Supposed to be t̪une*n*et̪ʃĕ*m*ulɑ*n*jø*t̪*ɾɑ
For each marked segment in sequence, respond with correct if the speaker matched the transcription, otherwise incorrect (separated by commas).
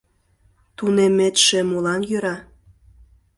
incorrect, correct, correct, incorrect